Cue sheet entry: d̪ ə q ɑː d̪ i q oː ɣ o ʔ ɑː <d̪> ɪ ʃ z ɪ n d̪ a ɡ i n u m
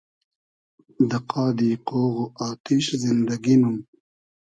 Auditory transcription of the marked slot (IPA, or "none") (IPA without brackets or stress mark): t̪